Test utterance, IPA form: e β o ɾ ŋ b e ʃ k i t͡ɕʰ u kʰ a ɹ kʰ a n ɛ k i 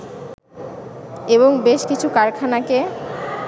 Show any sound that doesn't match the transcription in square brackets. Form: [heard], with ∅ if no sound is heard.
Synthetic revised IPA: e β o [∅] ŋ b e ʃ k i t͡ɕʰ u [k] a [ɾ] kʰ a n [a] k [e]

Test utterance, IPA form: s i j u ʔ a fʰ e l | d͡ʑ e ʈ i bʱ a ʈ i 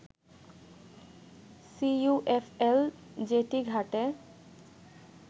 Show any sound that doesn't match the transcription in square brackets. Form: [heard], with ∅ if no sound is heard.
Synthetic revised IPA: s i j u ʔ [e] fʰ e l | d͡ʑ e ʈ i [ɡʱ] a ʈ [e]

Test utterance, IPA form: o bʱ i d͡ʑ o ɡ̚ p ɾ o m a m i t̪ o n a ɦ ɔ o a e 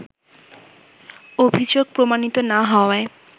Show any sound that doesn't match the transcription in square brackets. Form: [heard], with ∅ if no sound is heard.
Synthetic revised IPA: o bʱ i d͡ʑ o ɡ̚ p ɾ o m a [n] i t̪ o n a ɦ ɔ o a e

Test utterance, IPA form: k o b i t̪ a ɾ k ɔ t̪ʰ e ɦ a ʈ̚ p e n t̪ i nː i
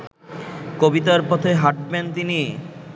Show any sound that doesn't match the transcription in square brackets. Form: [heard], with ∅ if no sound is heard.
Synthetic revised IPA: k o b i t̪ a ɾ [p] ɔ t̪ʰ e ɦ a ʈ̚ [b] e n t̪ i [n] i

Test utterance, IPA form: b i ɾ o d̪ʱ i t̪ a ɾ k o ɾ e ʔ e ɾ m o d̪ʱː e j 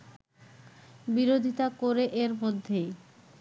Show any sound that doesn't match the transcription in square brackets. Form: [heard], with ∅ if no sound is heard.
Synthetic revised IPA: b i ɾ o d̪ʱ i t̪ a [∅] k o ɾ e ʔ e ɾ m o d̪ʱː e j

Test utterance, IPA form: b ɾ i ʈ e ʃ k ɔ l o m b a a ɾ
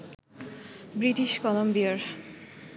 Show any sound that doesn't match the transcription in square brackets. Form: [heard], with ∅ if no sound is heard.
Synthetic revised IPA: b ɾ i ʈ [i] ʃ k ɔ l o m b [i] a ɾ

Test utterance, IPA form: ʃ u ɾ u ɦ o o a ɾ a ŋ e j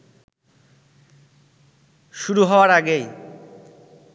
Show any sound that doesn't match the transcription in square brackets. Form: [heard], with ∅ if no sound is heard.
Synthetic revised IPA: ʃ u ɾ u ɦ [ɔ] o a ɾ a [ɡ] e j

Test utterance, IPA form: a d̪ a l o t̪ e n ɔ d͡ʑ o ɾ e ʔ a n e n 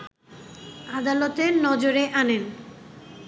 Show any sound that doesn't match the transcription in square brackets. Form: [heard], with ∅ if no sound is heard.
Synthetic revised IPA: a d̪ a l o t̪ e n ɔ d͡ʑ o ɾ e ʔ a n e n

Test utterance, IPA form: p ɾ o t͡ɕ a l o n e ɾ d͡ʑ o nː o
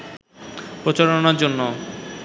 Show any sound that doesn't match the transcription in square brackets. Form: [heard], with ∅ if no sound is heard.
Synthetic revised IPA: p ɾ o t͡ɕ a [ɾ] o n [a] ɾ d͡ʑ o nː o

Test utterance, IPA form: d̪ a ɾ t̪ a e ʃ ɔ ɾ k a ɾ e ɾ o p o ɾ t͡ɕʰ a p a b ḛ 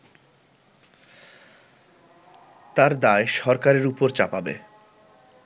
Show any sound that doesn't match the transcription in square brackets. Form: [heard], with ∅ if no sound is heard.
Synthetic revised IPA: [t̪] a ɾ [d̪] a e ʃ ɔ ɾ k a ɾ e ɾ [u] p o ɾ [t͡ɕ] a p a b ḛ

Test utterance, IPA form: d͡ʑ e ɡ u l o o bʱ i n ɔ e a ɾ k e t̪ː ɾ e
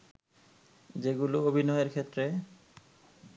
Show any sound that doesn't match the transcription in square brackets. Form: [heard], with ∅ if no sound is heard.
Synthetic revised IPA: d͡ʑ e ɡ u l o o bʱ i n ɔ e [e] ɾ [kʰ] e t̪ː ɾ e

